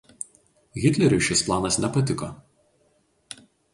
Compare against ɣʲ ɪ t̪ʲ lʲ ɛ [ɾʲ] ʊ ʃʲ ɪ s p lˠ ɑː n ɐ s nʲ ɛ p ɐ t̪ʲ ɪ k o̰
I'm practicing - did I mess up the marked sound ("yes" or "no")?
no